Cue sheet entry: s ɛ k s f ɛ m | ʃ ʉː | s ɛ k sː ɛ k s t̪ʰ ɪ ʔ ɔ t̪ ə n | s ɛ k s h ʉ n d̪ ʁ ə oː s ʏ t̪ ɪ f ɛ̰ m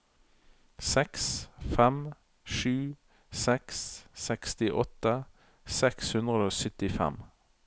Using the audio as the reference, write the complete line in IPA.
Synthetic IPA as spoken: s ɛ k s f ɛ m | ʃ ʉː | s ɛ k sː ɛ k s t̪ ɪ ʔ ɔ t̪ ə | s ɛ k s h ʉ n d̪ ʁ ə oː s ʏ t̪ ɪ f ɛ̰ m

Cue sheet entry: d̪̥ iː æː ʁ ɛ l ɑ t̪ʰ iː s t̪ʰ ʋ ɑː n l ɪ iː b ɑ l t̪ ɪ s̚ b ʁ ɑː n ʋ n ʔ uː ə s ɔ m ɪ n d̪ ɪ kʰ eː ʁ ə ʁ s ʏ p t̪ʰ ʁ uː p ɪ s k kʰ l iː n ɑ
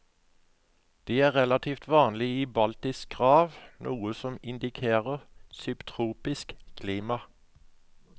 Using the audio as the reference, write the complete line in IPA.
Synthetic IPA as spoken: d̪̥ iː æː ʁ ɛ l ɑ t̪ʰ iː f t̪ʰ ʋ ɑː n l ɪ iː b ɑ l t̪ ɪ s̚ ɡ ʁ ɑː ʋ n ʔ uː ə s ɔ m ɪ n d̪ ɪ kʰ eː ʁ ə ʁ s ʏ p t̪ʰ ʁ uː p ɪ s k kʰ l iː m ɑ

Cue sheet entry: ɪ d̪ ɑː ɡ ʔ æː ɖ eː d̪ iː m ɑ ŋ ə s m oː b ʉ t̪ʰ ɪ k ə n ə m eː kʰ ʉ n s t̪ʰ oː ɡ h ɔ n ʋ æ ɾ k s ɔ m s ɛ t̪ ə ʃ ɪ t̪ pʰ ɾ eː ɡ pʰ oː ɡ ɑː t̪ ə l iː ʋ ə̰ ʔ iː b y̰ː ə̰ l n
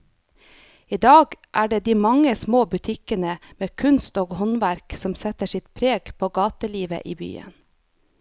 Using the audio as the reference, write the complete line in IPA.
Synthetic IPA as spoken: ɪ d̪ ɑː ɡ ʔ æː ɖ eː d̪ iː m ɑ ŋ ə s m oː b ʉ t̪ʰ ɪ k ə n ə m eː kʰ ʉ n s t̪ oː ɡ h ɔ n ʋ æ ɾ k s ɔ m s ɛ t̪ ə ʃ ɪ t̪ pʰ ɾ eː ɡ pʰ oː ɡ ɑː t̪ ə l iː ʋ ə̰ ʔ iː b y̰ː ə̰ n

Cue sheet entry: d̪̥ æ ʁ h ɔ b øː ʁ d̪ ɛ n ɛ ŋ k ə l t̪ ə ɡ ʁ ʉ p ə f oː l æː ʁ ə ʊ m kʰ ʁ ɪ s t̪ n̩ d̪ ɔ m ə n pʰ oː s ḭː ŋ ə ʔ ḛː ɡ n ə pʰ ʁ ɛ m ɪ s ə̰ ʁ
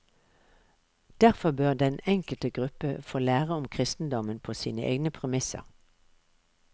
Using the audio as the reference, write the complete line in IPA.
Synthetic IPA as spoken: d̪̥ æ ʁ f ɔ b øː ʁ d̪ ɛ n ɛ ŋ k ə l t̪ ə ɡ ʁ ʉ p ə f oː l æː ʁ ə ʊ m kʰ ʁ ɪ s t̪ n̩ d̪ ɔ m ə n pʰ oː s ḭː n ə ʔ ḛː ɡ n ə pʰ ʁ ɛ m ɪ s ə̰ ʁ

